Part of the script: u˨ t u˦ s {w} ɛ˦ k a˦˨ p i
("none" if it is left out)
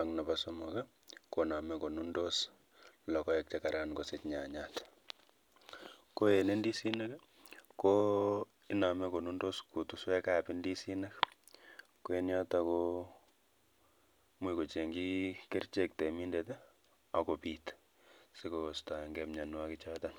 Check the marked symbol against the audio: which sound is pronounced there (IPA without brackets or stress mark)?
w